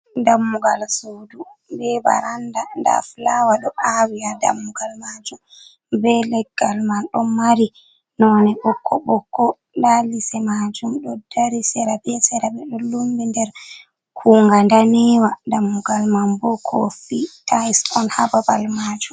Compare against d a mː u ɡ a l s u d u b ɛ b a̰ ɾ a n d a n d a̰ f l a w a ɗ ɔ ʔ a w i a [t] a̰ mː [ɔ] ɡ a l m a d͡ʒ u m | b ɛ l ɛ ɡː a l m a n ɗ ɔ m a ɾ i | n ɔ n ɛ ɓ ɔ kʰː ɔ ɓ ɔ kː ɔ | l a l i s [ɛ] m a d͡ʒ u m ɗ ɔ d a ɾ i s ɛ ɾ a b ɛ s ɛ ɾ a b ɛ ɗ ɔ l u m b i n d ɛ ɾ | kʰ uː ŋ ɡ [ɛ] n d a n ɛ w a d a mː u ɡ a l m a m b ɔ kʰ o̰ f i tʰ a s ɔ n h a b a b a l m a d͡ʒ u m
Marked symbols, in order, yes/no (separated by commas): no, no, yes, no